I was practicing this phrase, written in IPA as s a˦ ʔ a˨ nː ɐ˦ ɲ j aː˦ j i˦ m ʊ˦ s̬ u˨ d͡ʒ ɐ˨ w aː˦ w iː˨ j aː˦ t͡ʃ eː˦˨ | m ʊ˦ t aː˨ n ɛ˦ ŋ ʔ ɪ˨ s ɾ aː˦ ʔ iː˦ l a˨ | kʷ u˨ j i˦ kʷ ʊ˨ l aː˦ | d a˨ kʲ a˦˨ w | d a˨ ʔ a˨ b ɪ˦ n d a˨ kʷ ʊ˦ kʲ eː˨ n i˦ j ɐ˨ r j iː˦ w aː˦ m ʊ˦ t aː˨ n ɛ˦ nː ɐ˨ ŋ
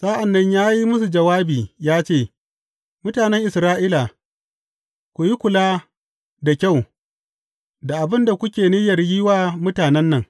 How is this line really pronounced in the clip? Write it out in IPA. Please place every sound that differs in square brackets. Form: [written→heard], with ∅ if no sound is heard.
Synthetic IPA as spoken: s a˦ ʔ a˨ nː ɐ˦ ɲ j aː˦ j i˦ m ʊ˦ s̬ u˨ d͡ʒ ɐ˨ w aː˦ [w→b] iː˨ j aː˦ t͡ʃ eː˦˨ | m ʊ˦ t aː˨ n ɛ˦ ŋ ʔ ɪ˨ s ɾ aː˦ ʔ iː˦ l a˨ | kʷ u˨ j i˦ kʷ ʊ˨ l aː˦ | d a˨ kʲ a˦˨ w | d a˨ ʔ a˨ b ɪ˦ n d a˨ kʷ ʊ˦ kʲ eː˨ n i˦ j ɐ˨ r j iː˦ w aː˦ m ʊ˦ t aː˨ n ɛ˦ nː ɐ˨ ŋ